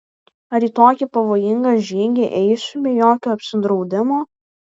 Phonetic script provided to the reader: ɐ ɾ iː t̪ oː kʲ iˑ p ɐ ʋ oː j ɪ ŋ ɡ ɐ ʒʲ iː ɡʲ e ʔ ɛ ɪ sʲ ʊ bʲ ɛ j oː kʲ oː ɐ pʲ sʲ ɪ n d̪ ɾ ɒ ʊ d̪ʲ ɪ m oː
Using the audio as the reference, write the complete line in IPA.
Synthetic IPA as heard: ɐ ɾ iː t̪ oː kʲ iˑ p ɐ ʋ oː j ɪ ŋ ɡ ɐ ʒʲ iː ɡʲ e ʔ ɛ ɪ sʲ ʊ bʲ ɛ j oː kʲ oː ɐ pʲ sʲ ɪ n d̪ ɾ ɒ ʊ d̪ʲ ɪ m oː